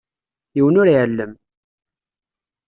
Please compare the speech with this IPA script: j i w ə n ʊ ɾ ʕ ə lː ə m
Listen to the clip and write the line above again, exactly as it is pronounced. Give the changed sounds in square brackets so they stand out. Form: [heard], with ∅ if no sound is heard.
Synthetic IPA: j i w ə n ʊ ɾ ʕ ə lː ə m